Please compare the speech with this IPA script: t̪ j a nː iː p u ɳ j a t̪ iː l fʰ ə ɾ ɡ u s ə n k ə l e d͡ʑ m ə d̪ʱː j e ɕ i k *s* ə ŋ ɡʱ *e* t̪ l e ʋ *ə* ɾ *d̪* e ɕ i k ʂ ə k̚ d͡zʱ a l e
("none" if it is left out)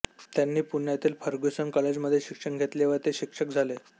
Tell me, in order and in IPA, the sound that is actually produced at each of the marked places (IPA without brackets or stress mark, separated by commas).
ʂ, e, ə, t̪